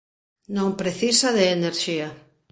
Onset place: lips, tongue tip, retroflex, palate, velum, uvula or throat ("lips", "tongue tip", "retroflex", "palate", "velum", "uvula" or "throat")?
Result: tongue tip